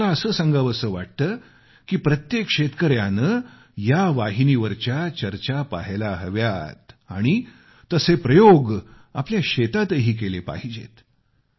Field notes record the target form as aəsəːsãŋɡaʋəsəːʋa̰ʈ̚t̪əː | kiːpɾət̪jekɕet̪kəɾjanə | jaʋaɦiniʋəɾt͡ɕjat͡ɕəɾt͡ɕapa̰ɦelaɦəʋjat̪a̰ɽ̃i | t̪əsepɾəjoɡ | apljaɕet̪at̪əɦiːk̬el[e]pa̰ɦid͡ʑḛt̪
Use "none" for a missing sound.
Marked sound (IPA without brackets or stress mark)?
e